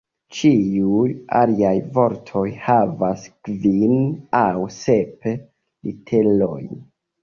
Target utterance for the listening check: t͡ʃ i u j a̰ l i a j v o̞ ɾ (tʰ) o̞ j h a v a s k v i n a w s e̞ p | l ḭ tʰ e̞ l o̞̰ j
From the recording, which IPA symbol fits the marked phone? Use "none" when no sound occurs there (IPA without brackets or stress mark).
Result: tʰ